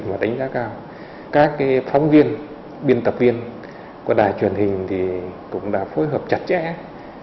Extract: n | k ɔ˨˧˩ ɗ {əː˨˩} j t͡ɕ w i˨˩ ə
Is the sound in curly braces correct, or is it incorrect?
incorrect